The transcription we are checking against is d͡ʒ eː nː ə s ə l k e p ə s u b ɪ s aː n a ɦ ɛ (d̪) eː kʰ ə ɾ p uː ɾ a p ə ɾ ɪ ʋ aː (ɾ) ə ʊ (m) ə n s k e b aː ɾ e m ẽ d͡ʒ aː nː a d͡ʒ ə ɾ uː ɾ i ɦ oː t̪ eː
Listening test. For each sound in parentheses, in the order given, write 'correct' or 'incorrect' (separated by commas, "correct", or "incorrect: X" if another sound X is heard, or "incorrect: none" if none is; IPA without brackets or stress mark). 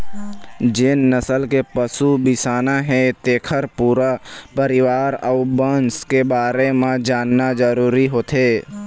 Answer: incorrect: t̪, correct, incorrect: b